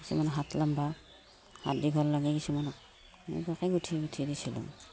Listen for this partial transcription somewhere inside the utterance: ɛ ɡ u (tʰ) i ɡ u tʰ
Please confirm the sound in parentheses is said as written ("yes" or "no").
yes